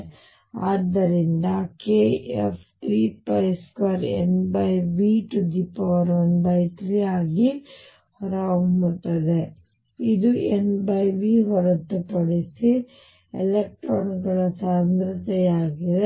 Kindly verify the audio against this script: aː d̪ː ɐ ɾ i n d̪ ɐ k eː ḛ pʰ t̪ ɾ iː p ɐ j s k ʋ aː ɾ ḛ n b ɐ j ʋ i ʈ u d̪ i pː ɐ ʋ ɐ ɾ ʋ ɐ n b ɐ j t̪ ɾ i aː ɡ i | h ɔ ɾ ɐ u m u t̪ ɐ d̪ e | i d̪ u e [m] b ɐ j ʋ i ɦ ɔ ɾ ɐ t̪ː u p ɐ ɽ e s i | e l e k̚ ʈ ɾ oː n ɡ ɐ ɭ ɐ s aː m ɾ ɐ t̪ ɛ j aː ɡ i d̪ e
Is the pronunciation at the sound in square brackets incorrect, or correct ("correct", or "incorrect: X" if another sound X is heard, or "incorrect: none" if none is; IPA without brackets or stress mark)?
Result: incorrect: n